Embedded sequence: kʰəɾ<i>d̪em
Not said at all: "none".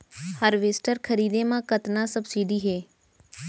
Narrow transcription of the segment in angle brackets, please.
iː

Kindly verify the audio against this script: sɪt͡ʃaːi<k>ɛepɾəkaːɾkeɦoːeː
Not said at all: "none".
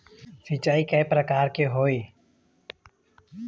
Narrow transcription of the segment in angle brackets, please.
k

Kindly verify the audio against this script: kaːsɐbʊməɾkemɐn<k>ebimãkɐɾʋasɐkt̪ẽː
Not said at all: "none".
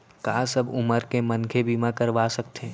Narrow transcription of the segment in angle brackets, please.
kʰ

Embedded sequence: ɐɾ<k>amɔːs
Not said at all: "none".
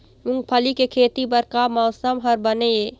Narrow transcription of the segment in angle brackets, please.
k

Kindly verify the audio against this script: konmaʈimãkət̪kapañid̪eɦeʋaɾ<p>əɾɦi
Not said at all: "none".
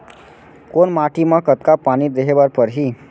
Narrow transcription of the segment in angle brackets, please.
p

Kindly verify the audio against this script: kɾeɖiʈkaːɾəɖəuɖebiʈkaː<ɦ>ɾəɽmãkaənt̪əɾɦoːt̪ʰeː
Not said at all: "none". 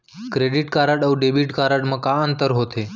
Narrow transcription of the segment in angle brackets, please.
none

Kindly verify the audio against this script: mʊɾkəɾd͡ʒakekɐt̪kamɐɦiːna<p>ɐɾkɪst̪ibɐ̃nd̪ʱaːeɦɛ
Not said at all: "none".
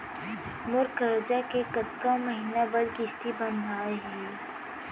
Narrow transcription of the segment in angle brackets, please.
b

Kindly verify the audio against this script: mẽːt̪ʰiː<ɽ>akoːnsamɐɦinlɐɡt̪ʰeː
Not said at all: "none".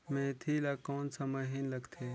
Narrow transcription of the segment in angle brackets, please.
l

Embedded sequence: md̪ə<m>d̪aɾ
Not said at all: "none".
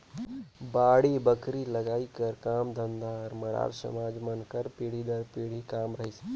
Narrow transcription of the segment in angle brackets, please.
n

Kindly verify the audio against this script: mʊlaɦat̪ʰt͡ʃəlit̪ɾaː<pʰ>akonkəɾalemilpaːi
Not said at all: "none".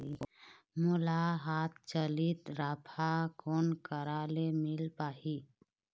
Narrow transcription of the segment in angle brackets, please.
pʰ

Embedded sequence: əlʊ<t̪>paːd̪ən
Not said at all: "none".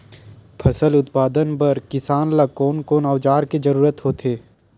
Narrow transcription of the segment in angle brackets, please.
t̪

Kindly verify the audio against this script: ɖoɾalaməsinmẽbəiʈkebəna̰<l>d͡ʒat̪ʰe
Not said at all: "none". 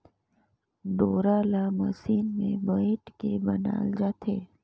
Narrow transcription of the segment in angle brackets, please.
l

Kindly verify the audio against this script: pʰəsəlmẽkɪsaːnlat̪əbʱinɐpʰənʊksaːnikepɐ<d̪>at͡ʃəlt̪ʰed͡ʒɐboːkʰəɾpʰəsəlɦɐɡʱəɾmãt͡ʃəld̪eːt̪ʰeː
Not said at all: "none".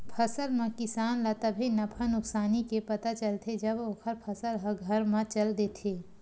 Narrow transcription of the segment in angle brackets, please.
t̪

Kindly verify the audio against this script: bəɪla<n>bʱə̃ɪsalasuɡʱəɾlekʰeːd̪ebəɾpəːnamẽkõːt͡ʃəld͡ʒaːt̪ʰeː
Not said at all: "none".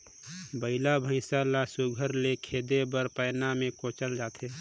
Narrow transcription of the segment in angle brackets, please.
none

